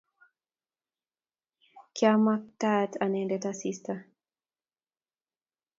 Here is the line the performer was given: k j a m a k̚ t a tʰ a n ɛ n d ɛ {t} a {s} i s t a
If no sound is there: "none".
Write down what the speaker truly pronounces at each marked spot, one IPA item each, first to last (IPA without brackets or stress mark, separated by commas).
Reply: t, s